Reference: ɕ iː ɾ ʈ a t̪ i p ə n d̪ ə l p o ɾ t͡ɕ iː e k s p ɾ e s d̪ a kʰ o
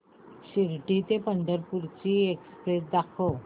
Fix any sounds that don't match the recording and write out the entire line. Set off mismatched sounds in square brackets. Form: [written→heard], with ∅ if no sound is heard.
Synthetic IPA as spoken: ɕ [iː→i] ɾ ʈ [a→i] t̪ [i→e] p ə n d̪ ə [l→ɾ] p [o→u] ɾ t͡ɕ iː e k s p ɾ e s d̪ a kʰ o